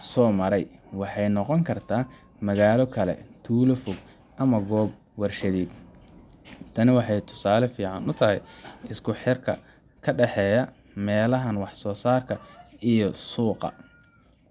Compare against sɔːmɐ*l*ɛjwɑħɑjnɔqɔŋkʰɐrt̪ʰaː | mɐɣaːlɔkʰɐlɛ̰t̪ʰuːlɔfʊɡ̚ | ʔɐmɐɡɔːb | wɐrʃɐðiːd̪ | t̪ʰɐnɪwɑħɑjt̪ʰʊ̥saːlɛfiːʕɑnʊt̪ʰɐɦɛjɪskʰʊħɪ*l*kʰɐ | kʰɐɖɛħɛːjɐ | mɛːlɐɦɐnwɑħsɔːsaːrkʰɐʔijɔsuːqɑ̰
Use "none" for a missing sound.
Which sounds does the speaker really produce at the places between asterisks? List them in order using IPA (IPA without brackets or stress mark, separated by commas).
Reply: ɾ, r